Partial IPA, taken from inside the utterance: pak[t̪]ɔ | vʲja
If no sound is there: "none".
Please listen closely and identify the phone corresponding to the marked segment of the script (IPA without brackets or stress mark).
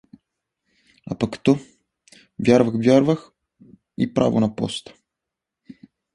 t̪